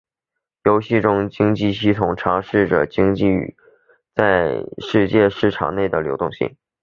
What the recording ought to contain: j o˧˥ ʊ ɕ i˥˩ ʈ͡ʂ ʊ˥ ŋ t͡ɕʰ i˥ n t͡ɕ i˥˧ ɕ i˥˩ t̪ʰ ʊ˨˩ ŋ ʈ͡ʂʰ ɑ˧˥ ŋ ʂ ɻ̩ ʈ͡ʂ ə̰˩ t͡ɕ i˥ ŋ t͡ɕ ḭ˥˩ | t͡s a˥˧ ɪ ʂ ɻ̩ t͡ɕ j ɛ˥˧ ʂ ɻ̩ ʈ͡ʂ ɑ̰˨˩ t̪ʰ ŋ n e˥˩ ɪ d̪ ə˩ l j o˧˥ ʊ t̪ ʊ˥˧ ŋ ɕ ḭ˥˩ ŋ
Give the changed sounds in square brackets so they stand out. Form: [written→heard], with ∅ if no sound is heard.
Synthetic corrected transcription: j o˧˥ ʊ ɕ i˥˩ ʈ͡ʂ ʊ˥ ŋ [t͡ɕʰ→t͡ɕ] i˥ [n→ŋ] t͡ɕ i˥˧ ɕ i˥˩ t̪ʰ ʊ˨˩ ŋ ʈ͡ʂʰ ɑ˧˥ ŋ ʂ ɻ̩ ʈ͡ʂ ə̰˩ t͡ɕ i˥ ŋ t͡ɕ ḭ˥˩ | t͡s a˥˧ ɪ ʂ ɻ̩ t͡ɕ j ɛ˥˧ ʂ ɻ̩ [ʈ͡ʂ→ʈ͡ʂʰ] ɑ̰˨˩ [t̪ʰ→∅] ŋ n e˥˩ ɪ d̪ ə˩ l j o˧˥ ʊ t̪ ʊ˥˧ ŋ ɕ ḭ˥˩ ŋ

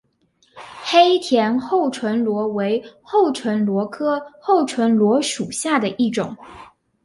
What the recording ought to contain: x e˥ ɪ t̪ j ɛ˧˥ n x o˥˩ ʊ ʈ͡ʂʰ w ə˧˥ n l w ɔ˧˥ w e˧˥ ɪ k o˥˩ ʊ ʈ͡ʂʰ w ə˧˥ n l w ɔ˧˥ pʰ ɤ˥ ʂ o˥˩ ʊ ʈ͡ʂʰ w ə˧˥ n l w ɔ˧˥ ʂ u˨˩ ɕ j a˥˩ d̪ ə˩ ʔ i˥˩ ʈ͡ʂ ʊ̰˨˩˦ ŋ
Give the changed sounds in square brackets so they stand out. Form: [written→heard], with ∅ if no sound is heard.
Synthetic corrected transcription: x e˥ ɪ [t̪→t̪ʰ] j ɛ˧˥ n x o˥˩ ʊ ʈ͡ʂʰ w ə˧˥ n l w ɔ˧˥ w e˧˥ ɪ [k→x] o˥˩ ʊ ʈ͡ʂʰ w ə˧˥ n l w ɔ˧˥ [pʰ→kʰ] ɤ˥ [ʂ→x] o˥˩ ʊ ʈ͡ʂʰ w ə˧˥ n l w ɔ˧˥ ʂ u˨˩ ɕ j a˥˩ d̪ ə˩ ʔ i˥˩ ʈ͡ʂ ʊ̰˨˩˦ ŋ

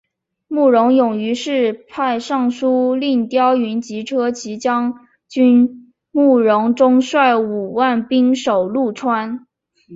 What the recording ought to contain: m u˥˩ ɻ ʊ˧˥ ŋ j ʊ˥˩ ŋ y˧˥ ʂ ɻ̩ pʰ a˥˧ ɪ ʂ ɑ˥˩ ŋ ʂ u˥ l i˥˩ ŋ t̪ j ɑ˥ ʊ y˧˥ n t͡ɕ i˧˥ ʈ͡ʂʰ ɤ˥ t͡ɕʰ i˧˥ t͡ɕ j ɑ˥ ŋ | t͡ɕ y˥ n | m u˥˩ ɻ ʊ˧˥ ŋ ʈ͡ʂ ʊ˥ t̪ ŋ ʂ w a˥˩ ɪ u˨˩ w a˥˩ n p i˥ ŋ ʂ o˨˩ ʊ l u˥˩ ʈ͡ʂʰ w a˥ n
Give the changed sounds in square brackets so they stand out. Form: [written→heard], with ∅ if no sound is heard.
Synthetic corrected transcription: m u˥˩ ɻ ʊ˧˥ ŋ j [ʊ˥˩→ʊ˨˩] ŋ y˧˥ ʂ ɻ̩ pʰ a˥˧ ɪ ʂ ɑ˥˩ ŋ ʂ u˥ l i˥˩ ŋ t̪ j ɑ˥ ʊ y˧˥ n t͡ɕ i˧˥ ʈ͡ʂʰ ɤ˥ t͡ɕʰ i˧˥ t͡ɕ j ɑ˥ ŋ | t͡ɕ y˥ n | m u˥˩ ɻ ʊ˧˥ ŋ ʈ͡ʂ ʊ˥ [t̪→∅] ŋ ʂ w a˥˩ ɪ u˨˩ w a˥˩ n p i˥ ŋ ʂ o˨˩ ʊ l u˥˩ ʈ͡ʂʰ w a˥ n

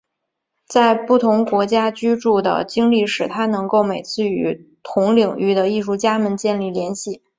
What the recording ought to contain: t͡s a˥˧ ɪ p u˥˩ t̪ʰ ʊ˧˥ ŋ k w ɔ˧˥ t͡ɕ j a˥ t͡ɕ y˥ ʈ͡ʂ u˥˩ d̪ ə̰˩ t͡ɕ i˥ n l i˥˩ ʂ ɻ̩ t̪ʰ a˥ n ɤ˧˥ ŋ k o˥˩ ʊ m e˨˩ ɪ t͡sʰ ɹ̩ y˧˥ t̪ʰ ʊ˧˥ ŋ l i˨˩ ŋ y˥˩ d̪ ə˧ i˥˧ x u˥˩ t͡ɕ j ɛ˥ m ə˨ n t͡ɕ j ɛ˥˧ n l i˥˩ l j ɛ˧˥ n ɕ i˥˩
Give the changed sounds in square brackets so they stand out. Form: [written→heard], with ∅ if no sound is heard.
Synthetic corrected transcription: t͡s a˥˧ ɪ p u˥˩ t̪ʰ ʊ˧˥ ŋ k w ɔ˧˥ t͡ɕ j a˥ t͡ɕ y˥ ʈ͡ʂ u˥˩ d̪ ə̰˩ t͡ɕ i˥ [n→ŋ] l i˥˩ ʂ ɻ̩ t̪ʰ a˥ n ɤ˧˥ ŋ k o˥˩ ʊ m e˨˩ ɪ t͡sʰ ɹ̩ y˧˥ t̪ʰ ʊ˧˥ ŋ l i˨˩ ŋ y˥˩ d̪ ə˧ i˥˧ [x→ʂ] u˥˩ t͡ɕ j [ɛ˥→a˥] m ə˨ n t͡ɕ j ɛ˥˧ n l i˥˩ l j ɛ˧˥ n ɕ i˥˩

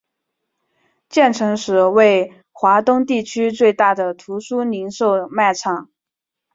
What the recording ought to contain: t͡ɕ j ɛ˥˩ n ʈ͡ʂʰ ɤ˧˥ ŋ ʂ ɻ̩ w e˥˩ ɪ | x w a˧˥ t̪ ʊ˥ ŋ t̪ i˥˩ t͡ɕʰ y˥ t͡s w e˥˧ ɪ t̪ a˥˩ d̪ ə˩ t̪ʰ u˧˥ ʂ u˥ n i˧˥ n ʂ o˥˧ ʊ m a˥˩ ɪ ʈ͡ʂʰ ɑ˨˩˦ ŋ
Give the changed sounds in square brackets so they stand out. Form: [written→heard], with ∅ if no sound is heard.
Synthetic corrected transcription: t͡ɕ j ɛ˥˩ n ʈ͡ʂʰ ɤ˧˥ ŋ ʂ ɻ̩ w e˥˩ ɪ | x w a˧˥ t̪ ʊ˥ ŋ t̪ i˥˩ t͡ɕʰ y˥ t͡s w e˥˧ ɪ t̪ a˥˩ d̪ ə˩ t̪ʰ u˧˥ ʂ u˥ n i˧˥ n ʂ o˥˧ ʊ m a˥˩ ɪ ʈ͡ʂʰ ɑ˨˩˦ ŋ

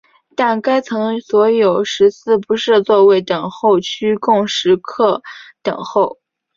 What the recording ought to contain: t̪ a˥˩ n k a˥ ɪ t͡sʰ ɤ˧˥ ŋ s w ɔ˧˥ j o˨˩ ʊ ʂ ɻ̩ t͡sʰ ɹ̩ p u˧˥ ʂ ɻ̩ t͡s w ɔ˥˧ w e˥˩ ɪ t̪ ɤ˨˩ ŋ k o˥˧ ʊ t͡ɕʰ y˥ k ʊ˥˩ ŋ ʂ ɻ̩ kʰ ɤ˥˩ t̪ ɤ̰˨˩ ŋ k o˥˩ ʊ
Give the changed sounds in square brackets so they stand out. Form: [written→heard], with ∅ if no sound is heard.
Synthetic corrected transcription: t̪ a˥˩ n k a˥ ɪ t͡sʰ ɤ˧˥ ŋ s w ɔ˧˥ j o˨˩ ʊ ʂ ɻ̩ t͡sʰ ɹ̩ p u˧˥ ʂ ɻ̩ t͡s w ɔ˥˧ w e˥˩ ɪ t̪ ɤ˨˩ ŋ [k→x] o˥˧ ʊ t͡ɕʰ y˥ k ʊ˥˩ ŋ ʂ ɻ̩ kʰ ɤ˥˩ t̪ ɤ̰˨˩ ŋ [k→x] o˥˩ ʊ

